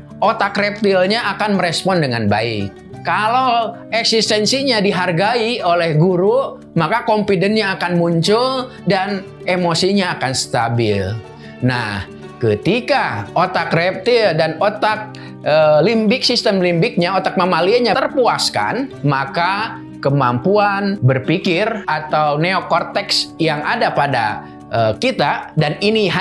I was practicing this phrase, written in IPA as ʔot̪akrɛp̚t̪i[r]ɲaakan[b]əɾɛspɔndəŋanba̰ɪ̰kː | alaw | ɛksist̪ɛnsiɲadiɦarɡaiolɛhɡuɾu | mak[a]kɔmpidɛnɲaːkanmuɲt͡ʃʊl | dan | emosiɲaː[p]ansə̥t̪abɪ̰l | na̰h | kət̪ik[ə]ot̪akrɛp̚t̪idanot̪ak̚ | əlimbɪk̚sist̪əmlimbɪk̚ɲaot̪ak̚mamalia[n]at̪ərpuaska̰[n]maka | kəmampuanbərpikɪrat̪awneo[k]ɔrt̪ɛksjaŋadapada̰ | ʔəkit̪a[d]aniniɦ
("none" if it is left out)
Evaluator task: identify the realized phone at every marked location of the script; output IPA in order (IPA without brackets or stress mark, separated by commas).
l, m, a, k, a, ɲ, n, k, d